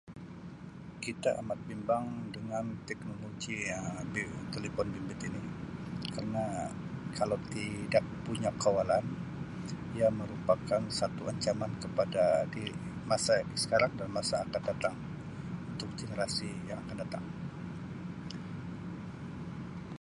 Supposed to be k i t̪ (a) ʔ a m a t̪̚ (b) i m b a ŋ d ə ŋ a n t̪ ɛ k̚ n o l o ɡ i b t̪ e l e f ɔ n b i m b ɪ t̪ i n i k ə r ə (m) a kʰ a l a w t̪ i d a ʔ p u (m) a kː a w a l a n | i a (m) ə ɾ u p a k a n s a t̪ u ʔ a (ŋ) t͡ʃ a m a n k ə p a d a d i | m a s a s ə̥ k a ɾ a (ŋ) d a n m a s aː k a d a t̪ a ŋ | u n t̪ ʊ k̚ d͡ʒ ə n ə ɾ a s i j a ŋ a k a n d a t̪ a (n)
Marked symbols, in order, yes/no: yes, yes, no, no, yes, no, yes, no

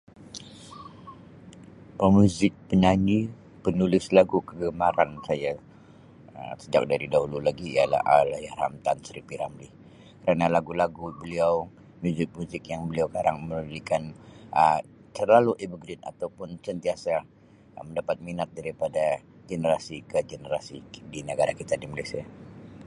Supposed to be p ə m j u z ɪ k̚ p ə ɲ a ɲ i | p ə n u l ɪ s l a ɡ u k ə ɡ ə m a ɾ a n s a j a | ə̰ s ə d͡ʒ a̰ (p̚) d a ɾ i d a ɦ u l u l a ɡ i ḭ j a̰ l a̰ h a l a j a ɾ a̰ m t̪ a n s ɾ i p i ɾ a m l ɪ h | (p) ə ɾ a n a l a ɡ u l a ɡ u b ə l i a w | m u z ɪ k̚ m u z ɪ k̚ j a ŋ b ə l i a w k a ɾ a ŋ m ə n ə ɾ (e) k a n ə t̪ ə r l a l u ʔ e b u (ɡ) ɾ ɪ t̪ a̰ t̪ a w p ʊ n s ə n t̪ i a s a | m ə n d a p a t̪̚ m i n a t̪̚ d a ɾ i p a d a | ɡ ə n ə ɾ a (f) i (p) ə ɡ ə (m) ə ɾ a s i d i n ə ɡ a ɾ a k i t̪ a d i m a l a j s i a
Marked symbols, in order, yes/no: no, no, no, yes, no, no, no

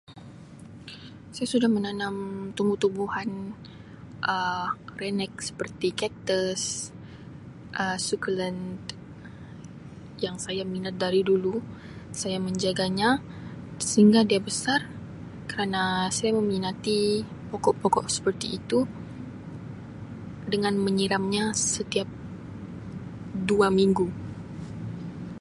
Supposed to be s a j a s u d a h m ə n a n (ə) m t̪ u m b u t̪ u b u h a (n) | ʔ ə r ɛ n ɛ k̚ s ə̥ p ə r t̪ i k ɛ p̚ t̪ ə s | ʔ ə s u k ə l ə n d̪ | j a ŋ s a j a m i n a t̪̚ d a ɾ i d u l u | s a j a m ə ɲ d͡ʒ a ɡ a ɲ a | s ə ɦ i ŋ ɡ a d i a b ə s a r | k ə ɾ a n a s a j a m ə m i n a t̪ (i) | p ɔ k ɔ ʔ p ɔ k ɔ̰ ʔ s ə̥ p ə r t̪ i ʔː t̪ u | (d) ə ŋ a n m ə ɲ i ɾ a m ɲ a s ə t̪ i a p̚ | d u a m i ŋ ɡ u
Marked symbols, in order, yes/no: no, yes, yes, yes

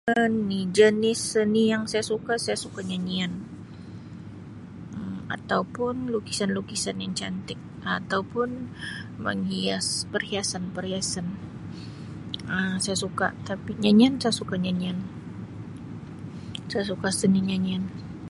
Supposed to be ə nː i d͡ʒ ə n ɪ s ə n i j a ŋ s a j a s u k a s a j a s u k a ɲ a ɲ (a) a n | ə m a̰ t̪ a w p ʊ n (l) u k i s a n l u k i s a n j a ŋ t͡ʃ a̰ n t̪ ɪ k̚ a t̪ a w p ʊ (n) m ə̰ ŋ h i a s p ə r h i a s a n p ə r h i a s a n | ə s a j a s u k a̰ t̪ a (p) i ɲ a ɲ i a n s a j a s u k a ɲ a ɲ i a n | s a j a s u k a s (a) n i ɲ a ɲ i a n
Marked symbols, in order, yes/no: no, yes, yes, yes, no

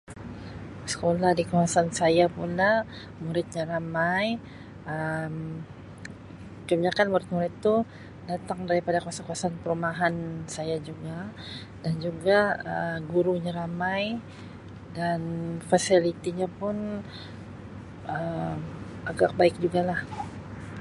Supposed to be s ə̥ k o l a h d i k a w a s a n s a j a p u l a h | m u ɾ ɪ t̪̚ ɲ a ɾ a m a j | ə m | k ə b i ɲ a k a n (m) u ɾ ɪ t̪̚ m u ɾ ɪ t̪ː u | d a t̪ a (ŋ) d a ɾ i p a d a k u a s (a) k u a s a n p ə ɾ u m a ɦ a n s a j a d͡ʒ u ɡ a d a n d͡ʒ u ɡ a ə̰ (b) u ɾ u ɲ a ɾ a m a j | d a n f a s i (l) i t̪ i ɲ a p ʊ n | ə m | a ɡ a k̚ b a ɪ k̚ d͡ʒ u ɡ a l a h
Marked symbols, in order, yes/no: yes, yes, yes, no, yes

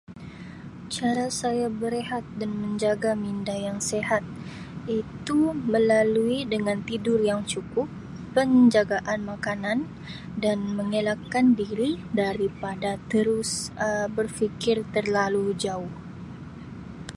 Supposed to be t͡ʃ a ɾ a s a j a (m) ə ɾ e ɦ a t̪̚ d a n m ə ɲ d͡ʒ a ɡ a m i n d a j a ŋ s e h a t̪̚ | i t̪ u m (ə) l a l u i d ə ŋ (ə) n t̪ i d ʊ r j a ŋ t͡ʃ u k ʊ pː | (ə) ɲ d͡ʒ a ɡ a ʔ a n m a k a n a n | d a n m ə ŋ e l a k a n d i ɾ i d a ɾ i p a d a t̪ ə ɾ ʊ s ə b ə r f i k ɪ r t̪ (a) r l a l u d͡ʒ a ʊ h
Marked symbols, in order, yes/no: no, yes, no, yes, no

